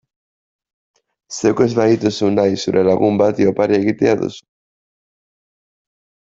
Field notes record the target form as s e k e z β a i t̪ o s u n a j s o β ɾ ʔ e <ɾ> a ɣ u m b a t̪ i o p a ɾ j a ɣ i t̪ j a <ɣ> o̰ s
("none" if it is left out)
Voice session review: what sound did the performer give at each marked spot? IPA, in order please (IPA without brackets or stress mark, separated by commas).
l, ð